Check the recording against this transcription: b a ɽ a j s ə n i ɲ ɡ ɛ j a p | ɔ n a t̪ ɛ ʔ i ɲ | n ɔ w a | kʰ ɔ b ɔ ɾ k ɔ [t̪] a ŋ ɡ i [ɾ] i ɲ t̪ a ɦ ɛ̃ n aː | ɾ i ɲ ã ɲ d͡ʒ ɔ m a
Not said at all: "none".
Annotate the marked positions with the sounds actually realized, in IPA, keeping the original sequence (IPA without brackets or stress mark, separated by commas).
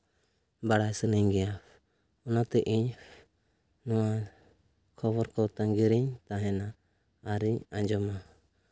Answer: t̪, ɾ